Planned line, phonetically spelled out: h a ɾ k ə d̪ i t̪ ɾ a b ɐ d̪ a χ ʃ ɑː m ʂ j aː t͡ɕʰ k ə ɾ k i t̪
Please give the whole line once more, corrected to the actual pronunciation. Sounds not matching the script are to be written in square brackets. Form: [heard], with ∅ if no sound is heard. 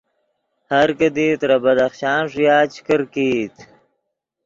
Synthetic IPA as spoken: h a ɾ k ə d̪ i t̪ ɾ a b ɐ d̪ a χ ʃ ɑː [n] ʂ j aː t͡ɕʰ k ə ɾ k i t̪